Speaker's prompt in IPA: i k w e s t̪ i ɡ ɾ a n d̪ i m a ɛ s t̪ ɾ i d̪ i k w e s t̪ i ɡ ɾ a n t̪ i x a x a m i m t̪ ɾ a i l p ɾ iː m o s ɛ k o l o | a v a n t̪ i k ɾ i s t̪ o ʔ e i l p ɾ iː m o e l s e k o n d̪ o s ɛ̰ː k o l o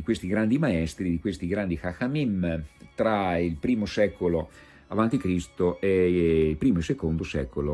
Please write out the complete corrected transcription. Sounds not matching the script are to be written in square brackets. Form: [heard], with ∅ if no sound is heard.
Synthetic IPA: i k w e s t̪ i ɡ ɾ a n d̪ i m a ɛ s t̪ ɾ i d̪ i k w e s t̪ i ɡ ɾ a n [d̪] i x a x a m i m t̪ ɾ a i l p ɾ iː m o s ɛ k o l o | a v a n t̪ i k ɾ i s t̪ o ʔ e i l p ɾ iː m o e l s e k o n d̪ o s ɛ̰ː k o l o